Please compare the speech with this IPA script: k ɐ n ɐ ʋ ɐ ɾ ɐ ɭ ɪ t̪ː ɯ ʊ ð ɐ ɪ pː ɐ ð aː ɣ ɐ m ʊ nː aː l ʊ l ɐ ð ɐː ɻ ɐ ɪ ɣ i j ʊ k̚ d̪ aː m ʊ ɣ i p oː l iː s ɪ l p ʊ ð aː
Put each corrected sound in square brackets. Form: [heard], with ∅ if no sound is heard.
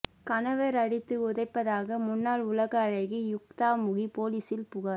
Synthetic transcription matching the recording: k ɐ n ɐ ʋ ɐ ɾ ɐ [ɽ] ɪ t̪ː ɯ ʊ ð ɐ ɪ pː ɐ ð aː ɣ ɐ m ʊ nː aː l ʊ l ɐ [ɣ] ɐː ɻ ɐ ɪ ɣ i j ʊ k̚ [t̪] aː m ʊ ɣ i p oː l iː s ɪ l p ʊ [ɣ] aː